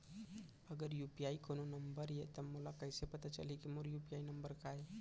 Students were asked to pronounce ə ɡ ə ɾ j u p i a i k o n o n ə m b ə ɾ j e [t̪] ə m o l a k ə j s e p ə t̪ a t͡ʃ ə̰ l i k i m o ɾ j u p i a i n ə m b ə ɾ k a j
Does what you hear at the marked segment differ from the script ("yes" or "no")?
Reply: no